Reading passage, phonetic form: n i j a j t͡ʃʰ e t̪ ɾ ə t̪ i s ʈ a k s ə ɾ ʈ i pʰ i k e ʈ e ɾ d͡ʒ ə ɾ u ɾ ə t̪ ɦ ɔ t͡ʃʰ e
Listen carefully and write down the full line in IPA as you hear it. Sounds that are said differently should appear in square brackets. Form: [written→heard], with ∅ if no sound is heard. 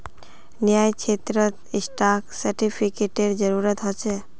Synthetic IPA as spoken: n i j a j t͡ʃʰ e t̪ ɾ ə t̪ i s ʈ a k s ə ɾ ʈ i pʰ i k e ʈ e ɾ d͡ʒ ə ɾ u ɾ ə t̪ ɦ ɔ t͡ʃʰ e